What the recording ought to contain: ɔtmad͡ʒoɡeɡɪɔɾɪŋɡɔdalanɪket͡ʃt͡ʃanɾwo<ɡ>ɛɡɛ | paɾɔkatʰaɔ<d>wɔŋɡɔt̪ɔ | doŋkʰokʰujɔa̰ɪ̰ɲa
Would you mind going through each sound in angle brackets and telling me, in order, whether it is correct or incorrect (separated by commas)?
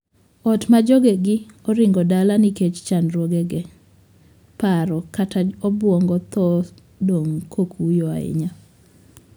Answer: correct, incorrect